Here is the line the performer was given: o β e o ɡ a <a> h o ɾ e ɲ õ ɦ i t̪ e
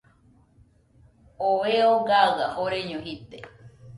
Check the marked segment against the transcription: correct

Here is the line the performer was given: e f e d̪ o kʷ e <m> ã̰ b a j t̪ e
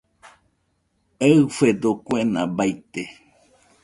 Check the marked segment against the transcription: incorrect: n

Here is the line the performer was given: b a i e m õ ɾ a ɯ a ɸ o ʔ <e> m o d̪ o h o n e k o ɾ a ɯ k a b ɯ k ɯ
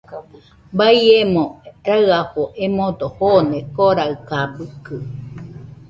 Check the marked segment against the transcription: correct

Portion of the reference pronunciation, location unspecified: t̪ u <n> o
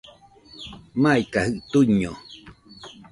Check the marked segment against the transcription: incorrect: ɲ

